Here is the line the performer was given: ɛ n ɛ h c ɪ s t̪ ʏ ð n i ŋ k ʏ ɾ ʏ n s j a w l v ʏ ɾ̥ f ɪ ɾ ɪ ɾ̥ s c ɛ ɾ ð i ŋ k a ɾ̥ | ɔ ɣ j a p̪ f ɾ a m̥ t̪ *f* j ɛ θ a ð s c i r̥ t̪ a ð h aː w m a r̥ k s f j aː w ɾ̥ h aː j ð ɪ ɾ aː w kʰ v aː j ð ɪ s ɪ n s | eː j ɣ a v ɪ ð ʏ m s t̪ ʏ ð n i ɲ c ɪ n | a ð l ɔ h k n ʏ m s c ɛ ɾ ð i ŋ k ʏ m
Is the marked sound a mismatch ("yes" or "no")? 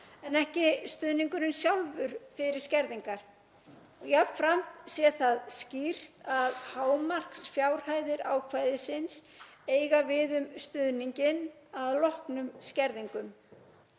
yes